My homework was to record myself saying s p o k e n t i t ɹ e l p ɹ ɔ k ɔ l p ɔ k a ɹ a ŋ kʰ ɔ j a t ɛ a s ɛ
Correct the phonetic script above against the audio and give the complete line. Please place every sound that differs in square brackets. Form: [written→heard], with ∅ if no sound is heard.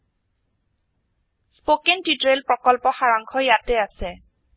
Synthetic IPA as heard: s p o k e n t i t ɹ e l p ɹ ɔ k ɔ l p ɔ [k→x] a ɹ a ŋ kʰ ɔ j a t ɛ a s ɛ